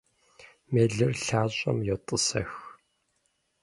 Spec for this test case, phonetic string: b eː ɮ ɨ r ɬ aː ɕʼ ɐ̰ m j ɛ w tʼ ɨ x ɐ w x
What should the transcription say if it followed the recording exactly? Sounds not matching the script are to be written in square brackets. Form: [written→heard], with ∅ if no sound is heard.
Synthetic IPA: [b→m] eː ɮ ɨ r ɬ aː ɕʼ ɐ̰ m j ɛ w tʼ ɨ [x→s] ɐ [w→∅] x